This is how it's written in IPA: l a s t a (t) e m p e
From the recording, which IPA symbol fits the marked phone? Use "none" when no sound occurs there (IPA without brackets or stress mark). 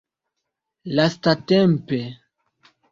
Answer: t